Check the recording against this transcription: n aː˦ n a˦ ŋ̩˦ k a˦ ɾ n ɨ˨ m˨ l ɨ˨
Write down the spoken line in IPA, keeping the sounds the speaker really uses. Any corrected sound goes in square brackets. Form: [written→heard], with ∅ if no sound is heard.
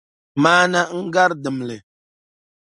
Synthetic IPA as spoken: [n→m] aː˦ n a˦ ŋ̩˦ [k→ɡ] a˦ ɾ [n→d] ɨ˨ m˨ l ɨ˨